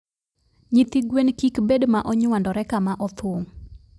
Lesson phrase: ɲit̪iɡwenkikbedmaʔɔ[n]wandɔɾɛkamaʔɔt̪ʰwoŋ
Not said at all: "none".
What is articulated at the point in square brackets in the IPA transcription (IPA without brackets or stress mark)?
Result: ɲ